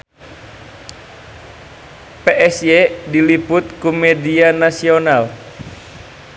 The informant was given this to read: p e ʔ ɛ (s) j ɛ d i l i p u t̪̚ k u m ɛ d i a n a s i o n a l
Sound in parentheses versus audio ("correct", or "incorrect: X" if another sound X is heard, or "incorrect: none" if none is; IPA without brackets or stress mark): correct